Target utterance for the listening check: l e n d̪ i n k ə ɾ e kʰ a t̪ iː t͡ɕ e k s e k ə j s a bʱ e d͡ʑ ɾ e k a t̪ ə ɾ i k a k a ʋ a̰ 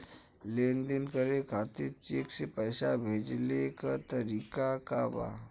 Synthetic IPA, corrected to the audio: l e n d̪ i n k ə ɾ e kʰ a t̪ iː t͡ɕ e k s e p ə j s a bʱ e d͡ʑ l e k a t̪ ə ɾ i k a k a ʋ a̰